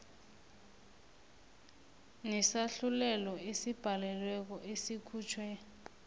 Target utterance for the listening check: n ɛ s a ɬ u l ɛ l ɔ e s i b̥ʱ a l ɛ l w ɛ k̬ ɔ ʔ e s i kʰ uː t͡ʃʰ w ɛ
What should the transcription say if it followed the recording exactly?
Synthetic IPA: n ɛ s a ɬ u l ɛ l ɔ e s i b̥ʱ a l ɛ l w ɛ k̬ ɔ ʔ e s i kʰ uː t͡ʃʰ w ɛ